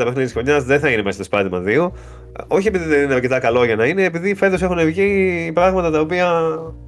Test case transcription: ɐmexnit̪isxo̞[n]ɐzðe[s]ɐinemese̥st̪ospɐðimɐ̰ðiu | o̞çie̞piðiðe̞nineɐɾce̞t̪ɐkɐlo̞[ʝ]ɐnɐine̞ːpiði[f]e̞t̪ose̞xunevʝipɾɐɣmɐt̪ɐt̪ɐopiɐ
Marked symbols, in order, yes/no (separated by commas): no, no, yes, yes